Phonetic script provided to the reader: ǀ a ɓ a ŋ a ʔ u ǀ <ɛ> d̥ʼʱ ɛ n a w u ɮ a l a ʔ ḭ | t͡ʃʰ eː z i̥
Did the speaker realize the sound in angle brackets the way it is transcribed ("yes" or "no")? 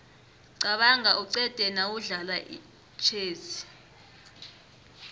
yes